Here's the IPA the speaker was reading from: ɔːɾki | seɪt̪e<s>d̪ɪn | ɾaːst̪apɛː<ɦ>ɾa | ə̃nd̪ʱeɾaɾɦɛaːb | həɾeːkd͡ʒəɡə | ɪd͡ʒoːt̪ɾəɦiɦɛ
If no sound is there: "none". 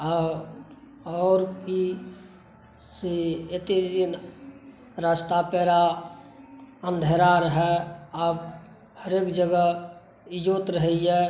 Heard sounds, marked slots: none, none

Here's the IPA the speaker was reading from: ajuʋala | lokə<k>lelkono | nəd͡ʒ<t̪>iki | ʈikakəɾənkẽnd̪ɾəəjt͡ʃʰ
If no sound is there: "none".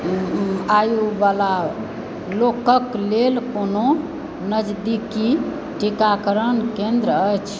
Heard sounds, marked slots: k, d̪

